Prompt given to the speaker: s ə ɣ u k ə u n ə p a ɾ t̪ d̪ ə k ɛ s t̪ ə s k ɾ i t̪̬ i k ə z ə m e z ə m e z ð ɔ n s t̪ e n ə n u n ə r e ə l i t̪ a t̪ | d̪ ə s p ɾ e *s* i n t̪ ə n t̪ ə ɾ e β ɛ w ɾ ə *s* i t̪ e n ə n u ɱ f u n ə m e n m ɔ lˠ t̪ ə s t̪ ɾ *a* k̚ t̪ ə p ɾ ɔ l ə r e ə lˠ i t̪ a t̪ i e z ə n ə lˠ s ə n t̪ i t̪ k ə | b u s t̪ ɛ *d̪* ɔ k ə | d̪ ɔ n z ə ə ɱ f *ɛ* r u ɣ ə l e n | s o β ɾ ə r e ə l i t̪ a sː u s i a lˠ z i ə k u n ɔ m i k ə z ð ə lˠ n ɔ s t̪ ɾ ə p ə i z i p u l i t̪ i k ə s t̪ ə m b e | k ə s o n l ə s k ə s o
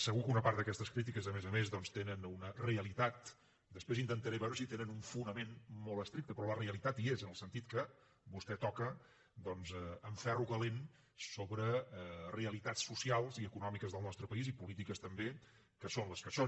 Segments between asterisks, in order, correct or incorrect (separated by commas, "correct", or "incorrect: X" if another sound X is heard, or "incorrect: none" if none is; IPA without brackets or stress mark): incorrect: z, correct, incorrect: i, incorrect: t̪, correct